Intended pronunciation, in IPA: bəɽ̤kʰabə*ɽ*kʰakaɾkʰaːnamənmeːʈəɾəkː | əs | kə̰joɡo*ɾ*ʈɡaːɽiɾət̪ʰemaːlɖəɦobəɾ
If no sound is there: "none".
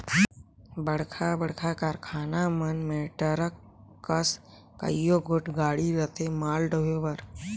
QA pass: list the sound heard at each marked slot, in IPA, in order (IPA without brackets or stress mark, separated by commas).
ɽ, none